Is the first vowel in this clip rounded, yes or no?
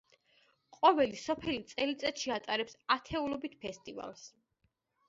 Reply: yes